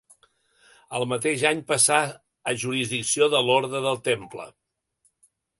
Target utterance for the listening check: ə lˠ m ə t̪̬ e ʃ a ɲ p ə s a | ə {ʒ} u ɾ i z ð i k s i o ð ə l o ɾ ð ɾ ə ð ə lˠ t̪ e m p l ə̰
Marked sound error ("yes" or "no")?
no